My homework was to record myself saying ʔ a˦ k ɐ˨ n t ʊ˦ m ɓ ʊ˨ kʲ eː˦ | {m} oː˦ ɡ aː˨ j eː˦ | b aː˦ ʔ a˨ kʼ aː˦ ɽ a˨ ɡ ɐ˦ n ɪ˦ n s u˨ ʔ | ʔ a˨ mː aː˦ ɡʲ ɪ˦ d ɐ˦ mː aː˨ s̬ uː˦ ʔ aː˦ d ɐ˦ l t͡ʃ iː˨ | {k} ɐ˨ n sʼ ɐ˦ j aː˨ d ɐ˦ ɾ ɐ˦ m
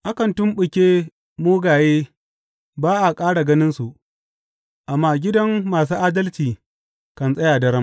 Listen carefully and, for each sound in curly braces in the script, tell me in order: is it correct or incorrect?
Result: correct, correct

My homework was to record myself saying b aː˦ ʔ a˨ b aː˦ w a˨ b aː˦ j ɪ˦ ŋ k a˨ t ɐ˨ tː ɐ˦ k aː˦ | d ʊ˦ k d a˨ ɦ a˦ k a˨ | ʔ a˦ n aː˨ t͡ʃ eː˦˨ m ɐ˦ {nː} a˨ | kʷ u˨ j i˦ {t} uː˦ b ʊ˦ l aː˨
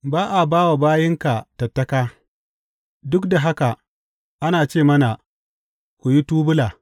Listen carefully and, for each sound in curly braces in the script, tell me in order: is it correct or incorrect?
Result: incorrect: n, correct

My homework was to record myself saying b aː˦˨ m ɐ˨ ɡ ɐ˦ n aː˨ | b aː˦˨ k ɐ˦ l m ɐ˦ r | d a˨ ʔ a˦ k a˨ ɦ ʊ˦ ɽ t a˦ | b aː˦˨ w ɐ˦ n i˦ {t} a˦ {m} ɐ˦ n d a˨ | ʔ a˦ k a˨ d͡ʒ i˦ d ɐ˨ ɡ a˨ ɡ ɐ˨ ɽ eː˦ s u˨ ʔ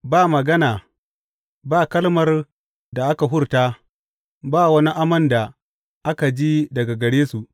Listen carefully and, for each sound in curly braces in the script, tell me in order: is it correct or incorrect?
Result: incorrect: ʔ, correct

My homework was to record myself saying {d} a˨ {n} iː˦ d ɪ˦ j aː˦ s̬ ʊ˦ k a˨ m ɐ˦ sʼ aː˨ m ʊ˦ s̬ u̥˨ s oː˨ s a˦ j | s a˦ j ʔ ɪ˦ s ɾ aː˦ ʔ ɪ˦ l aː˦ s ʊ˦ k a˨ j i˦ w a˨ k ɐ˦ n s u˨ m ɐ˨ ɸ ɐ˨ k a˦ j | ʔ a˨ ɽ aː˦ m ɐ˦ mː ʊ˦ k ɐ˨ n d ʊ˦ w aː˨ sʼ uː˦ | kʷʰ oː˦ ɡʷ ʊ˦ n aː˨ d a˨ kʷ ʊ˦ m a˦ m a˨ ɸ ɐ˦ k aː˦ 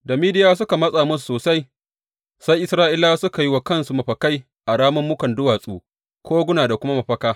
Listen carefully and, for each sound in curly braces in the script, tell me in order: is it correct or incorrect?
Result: correct, incorrect: m

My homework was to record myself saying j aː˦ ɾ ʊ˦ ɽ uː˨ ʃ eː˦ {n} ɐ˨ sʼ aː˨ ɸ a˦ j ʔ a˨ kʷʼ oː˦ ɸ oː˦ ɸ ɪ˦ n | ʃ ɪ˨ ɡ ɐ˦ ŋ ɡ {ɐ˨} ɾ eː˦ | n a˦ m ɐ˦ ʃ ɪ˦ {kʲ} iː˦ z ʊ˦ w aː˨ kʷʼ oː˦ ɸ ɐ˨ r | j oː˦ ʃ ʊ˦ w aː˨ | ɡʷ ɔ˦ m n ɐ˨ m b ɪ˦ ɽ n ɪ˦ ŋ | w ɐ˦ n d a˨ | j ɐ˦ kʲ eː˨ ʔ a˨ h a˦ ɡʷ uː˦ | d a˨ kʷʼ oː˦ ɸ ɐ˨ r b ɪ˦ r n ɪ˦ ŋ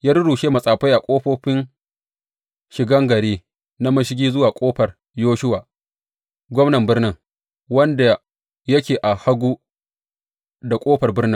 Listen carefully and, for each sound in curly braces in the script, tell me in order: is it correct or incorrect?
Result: incorrect: m, correct, incorrect: ɡʲ

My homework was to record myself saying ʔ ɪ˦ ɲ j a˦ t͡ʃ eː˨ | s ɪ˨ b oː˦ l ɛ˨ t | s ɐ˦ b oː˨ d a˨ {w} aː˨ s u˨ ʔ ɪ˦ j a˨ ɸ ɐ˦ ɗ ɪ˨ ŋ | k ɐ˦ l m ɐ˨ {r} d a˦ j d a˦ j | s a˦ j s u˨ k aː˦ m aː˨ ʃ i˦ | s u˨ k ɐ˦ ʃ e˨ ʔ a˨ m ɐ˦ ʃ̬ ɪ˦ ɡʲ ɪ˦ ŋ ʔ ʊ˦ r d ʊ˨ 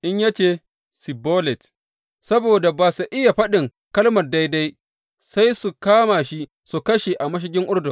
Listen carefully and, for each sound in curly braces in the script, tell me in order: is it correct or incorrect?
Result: incorrect: b, correct

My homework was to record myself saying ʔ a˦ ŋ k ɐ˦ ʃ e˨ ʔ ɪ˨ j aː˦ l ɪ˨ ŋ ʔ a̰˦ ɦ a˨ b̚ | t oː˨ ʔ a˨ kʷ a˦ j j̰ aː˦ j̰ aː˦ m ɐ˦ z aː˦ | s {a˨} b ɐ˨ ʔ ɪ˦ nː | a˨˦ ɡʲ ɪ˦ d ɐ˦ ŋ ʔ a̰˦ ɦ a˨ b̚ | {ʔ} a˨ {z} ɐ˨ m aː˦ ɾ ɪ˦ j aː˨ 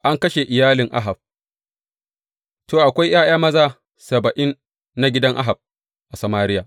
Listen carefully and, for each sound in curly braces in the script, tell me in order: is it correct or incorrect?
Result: incorrect: ɐ˨, correct, incorrect: s

